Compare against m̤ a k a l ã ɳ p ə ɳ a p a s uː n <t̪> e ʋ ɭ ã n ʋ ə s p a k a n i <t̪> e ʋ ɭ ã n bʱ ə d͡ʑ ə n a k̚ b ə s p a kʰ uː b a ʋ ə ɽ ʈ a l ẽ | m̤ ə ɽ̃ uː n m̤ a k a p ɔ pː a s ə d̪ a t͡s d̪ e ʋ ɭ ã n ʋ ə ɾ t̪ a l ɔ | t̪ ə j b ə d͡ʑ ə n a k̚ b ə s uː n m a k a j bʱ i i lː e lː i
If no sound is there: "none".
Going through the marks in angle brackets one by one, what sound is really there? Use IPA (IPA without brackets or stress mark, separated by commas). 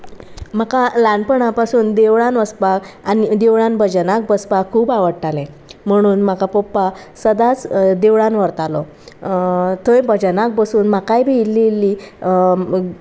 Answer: d̪, d̪